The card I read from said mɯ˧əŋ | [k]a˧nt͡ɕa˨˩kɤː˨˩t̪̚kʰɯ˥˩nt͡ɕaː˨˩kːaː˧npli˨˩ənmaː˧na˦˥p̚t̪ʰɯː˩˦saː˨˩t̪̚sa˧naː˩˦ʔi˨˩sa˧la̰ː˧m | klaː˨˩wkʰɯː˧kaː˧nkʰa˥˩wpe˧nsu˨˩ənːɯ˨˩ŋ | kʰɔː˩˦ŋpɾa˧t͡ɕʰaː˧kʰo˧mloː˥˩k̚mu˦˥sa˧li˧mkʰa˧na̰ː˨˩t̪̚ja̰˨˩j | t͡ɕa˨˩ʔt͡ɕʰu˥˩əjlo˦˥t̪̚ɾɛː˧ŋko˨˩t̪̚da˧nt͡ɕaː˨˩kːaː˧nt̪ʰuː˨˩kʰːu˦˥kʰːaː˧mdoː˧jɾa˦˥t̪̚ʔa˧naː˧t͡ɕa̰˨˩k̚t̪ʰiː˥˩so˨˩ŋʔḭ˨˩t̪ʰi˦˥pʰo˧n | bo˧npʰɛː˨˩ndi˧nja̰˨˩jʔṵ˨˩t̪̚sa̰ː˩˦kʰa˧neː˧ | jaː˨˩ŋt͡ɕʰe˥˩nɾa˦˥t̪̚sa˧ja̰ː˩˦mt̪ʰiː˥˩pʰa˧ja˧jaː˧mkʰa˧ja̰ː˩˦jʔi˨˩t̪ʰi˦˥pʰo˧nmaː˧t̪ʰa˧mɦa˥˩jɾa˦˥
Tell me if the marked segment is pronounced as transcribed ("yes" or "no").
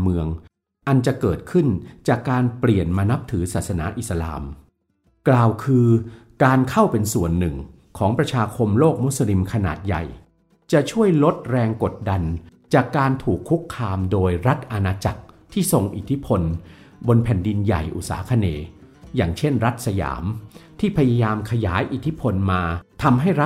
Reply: no